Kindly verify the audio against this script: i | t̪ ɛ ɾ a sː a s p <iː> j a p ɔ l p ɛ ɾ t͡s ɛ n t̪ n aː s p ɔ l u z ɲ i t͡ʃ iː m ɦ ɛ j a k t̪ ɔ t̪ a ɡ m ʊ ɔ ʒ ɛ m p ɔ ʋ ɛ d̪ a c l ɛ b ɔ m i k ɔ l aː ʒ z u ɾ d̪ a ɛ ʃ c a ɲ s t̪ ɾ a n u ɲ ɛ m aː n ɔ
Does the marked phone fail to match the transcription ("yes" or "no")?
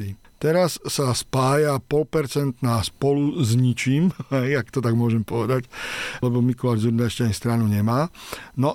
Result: yes